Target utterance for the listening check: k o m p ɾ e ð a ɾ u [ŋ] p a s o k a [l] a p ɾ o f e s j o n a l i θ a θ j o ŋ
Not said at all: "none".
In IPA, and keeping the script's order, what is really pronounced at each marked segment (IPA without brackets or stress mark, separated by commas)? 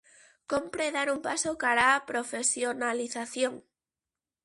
m, ɾ